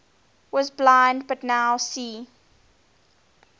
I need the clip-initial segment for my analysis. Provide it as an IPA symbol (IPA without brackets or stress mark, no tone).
w